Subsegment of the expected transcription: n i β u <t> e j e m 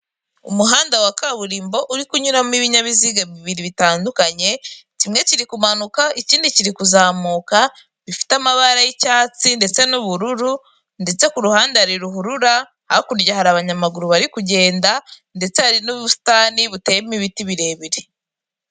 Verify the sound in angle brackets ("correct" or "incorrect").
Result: correct